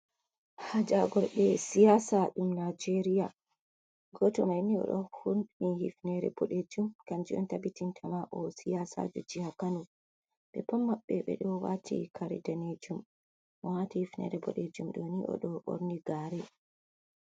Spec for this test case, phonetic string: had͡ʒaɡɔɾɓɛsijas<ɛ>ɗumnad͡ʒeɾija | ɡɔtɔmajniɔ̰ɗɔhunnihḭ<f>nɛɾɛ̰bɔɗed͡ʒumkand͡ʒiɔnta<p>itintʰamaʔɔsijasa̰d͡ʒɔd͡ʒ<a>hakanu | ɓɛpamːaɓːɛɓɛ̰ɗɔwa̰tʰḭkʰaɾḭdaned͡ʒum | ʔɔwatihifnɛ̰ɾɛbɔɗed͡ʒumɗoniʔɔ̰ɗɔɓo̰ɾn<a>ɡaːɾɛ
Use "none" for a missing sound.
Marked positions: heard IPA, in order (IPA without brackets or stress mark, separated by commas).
a, f, b, i, i